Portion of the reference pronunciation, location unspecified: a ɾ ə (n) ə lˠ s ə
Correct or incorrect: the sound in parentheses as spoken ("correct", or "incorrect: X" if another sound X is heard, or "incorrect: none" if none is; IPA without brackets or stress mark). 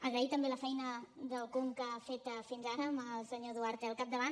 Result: incorrect: m